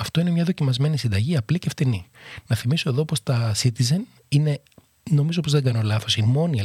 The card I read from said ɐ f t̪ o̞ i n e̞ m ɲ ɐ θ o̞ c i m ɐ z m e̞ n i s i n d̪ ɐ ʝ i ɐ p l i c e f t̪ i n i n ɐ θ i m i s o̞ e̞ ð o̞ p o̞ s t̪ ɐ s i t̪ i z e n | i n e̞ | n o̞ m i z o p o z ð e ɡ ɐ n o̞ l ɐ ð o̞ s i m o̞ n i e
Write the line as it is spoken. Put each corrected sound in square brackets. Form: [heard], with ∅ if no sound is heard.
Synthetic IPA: ɐ f t̪ o̞ i n e̞ m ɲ ɐ [ð] o̞ c i m ɐ z m e̞ n i s i n d̪ ɐ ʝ i ɐ p l i c e f t̪ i n i n ɐ θ i m i s o̞ e̞ ð o̞ p o̞ s t̪ ɐ s i t̪ i z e n | i n e̞ | n o̞ m i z o p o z ð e ɡ ɐ n o̞ l ɐ [θ] o̞ s i m o̞ n i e